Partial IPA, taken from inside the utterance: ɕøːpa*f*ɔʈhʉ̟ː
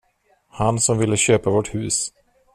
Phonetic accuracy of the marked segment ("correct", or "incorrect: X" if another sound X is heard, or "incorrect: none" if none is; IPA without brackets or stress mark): incorrect: v